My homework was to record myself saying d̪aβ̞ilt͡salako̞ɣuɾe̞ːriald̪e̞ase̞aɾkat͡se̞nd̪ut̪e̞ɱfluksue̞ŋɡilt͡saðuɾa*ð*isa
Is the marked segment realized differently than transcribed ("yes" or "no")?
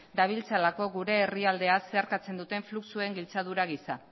yes